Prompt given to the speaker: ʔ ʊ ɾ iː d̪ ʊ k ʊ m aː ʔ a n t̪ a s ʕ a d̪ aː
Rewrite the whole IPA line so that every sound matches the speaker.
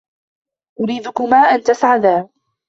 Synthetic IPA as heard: ʔ ʊ ɾ iː d̪ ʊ k ʊ m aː ʔ a n t̪ a s ʕ a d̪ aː